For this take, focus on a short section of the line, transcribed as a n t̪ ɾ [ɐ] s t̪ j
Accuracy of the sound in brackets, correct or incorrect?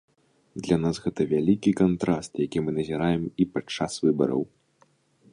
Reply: incorrect: a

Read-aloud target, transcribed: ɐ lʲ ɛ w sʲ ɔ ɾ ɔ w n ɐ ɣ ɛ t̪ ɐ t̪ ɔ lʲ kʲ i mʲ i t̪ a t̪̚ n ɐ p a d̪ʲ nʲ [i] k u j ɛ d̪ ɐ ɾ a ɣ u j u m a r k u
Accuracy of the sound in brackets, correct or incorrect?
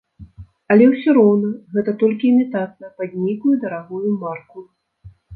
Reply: correct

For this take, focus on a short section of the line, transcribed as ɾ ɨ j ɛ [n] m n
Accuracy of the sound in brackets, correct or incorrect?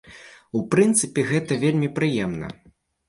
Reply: incorrect: none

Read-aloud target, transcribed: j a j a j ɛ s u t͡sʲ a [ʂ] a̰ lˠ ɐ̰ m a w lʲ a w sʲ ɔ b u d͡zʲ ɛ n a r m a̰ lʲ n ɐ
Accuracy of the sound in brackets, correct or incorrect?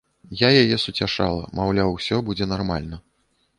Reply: correct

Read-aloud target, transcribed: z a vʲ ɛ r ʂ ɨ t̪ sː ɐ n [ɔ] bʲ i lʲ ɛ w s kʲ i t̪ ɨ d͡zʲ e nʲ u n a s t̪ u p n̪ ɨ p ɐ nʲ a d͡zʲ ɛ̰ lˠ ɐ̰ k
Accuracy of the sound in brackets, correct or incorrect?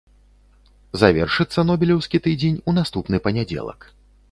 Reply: correct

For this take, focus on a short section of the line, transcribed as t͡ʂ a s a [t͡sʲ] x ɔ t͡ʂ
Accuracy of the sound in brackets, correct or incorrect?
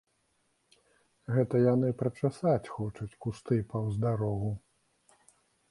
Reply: correct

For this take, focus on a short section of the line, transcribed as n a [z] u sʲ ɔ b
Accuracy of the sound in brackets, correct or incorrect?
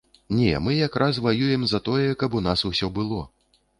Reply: incorrect: s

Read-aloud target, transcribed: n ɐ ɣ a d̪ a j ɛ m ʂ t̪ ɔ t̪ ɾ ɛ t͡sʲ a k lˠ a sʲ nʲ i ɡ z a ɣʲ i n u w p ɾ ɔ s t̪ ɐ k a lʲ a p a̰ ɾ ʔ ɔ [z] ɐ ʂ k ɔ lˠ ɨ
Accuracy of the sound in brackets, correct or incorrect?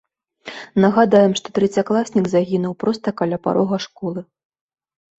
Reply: incorrect: ɣ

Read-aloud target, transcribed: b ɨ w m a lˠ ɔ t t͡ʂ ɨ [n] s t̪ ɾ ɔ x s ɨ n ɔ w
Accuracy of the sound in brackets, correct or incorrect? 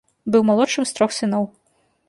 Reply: incorrect: m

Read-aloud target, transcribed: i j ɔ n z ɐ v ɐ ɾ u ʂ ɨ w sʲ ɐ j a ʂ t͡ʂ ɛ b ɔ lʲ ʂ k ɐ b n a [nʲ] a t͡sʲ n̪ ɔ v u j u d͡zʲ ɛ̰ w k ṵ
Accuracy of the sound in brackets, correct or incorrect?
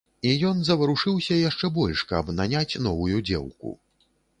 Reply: correct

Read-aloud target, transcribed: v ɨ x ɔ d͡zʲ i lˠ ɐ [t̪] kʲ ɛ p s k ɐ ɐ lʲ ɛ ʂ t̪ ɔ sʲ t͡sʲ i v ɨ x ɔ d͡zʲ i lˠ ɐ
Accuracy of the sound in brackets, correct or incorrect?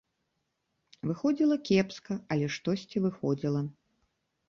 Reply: incorrect: none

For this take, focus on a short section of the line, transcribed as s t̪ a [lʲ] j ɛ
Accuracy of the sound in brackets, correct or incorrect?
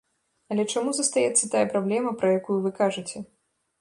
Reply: incorrect: none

